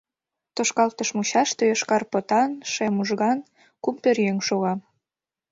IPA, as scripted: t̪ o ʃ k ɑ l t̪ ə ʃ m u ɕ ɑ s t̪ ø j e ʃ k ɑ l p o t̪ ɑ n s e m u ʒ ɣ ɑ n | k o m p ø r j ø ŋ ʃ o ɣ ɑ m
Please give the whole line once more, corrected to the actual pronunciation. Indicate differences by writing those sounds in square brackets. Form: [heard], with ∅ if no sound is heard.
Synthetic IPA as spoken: t̪ o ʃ k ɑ l t̪ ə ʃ m u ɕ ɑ [ʃ] t̪ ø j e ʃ k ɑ [r] p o t̪ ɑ n [ʃ] e m u ʒ ɣ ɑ n | k [u] m p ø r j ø ŋ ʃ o ɣ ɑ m